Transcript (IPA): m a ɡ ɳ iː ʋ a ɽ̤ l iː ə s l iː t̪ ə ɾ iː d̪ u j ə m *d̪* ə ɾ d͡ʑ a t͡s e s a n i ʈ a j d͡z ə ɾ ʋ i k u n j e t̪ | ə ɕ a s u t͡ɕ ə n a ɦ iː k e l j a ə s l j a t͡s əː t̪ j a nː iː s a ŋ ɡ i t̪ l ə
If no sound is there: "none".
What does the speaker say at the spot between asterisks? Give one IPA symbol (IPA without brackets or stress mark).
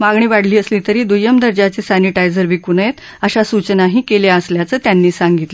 d̪